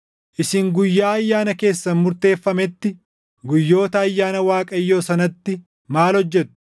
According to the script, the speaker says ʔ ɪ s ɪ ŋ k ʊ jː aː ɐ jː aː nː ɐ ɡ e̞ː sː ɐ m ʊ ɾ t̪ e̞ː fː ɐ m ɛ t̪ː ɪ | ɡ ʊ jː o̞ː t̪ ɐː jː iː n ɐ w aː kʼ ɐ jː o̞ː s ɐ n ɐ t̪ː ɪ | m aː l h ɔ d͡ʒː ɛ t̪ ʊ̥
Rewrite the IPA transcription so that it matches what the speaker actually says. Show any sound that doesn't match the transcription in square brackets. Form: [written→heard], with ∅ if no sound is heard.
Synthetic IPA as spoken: ʔ ɪ s ɪ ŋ [k→ɡ] ʊ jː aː ɐ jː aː [nː→n] ɐ [ɡ→k] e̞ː sː ɐ m ʊ ɾ t̪ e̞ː fː ɐ m ɛ t̪ː ɪ | ɡ ʊ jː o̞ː t̪ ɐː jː [iː→aː] n ɐ w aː kʼ ɐ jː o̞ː s ɐ n ɐ t̪ː ɪ | m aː l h ɔ d͡ʒː ɛ t̪ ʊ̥

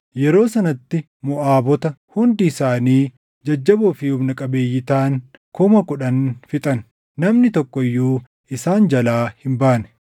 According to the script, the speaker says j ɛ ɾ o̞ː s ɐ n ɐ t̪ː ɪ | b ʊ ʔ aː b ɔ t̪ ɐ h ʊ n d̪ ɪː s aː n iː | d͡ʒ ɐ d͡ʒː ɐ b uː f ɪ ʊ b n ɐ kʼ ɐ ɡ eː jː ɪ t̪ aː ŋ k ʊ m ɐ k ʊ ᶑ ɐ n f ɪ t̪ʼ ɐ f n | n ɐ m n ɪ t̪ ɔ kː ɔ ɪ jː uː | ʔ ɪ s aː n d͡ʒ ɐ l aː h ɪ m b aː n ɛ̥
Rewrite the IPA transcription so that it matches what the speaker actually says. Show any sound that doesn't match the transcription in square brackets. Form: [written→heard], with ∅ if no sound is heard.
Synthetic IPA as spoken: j ɛ ɾ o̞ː s ɐ n ɐ t̪ː ɪ | [b→m] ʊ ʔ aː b ɔ t̪ ɐ h ʊ n d̪ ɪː s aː n iː | d͡ʒ ɐ d͡ʒː ɐ b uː f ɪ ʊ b n ɐ kʼ ɐ [ɡ→b] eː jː ɪ t̪ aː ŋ k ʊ m ɐ k ʊ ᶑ ɐ n f ɪ t̪ʼ ɐ [f→∅] n | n ɐ m n ɪ t̪ ɔ kː ɔ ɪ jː uː | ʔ ɪ s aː n d͡ʒ ɐ l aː h ɪ m b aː n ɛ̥

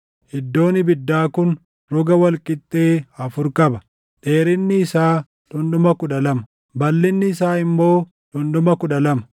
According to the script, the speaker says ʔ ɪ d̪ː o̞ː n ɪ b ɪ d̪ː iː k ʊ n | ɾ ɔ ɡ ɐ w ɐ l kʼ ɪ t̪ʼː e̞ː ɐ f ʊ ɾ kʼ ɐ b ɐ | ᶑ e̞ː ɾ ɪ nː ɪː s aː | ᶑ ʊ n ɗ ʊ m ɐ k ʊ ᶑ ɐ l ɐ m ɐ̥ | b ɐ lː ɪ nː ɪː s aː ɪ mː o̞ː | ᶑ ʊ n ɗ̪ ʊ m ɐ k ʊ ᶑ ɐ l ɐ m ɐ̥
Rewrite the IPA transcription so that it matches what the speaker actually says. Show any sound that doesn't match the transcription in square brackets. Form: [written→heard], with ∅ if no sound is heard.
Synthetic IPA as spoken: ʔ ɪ d̪ː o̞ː n ɪ b ɪ d̪ː [iː→aː] k ʊ n | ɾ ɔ ɡ ɐ w ɐ l kʼ ɪ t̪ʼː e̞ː ɐ f ʊ ɾ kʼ ɐ b ɐ | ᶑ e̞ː ɾ ɪ nː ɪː s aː | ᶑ ʊ n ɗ ʊ m ɐ k ʊ ᶑ ɐ l ɐ m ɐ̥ | b ɐ lː ɪ nː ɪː s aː ɪ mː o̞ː | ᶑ ʊ n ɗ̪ ʊ m ɐ k ʊ ᶑ ɐ l ɐ m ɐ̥

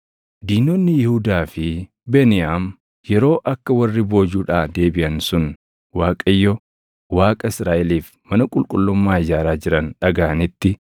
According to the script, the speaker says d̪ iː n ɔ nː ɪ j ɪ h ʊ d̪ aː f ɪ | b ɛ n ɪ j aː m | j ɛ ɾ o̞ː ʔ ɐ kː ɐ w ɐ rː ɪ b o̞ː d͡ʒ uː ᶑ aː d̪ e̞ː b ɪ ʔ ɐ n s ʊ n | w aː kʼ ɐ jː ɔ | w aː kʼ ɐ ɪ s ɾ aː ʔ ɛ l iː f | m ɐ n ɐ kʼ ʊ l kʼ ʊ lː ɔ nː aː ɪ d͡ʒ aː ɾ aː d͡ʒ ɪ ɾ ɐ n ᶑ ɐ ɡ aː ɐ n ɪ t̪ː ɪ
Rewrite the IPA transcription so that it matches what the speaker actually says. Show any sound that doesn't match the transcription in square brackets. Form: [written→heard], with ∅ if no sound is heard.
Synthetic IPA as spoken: d̪ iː n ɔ nː ɪ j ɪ h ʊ d̪ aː f ɪ | b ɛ n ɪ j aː m | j ɛ ɾ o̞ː ʔ ɐ kː ɐ w ɐ rː ɪ b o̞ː d͡ʒ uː ᶑ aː d̪ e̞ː b ɪ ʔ ɐ n s ʊ n | w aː kʼ ɐ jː ɔ | w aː kʼ ɐ ɪ s ɾ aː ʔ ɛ l iː f | m ɐ n ɐ kʼ ʊ l kʼ ʊ lː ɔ [nː→mː] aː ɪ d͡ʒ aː ɾ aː d͡ʒ ɪ ɾ ɐ n ᶑ ɐ ɡ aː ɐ n ɪ t̪ː ɪ

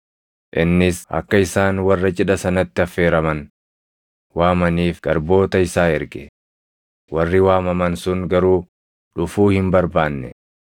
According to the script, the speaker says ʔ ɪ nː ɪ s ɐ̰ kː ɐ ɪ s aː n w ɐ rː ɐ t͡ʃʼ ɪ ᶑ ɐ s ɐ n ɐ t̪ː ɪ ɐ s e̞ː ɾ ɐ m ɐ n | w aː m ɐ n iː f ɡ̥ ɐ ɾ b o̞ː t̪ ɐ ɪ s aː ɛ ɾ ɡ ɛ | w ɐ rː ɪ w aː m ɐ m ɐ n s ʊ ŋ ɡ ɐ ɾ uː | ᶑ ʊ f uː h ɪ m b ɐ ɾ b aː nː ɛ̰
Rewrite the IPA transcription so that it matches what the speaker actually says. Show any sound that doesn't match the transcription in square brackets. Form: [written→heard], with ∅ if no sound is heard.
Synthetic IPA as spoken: ʔ ɪ nː ɪ s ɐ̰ kː ɐ ɪ s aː n w ɐ rː ɐ t͡ʃʼ ɪ ᶑ ɐ s ɐ n ɐ t̪ː ɪ ɐ [s→f] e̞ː ɾ ɐ m ɐ n | w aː m ɐ n iː f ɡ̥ ɐ ɾ b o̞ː t̪ ɐ ɪ s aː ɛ ɾ ɡ ɛ | w ɐ rː ɪ w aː m ɐ m ɐ n s ʊ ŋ ɡ ɐ ɾ uː | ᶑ ʊ f uː h ɪ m b ɐ ɾ b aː nː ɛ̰

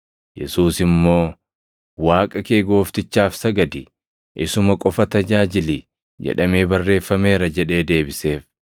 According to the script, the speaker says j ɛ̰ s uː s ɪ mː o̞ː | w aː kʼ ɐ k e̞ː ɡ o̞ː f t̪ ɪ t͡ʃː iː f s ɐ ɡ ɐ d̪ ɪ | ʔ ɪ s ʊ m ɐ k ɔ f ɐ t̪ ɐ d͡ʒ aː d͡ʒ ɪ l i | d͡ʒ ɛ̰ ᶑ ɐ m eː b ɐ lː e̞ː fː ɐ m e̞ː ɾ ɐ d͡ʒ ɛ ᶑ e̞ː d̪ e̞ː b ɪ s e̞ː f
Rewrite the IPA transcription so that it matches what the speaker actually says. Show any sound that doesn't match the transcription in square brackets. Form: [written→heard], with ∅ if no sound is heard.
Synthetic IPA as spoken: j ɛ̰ s uː s ɪ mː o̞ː | w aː kʼ ɐ k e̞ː ɡ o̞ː f t̪ ɪ t͡ʃː [iː→aː] f s ɐ ɡ ɐ d̪ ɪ | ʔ ɪ s ʊ m ɐ [k→kʼ] ɔ f ɐ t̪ ɐ d͡ʒ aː d͡ʒ ɪ l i | d͡ʒ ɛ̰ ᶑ ɐ m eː b ɐ [lː→rː] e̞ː fː ɐ m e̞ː ɾ ɐ d͡ʒ ɛ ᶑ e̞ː d̪ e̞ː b ɪ s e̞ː f

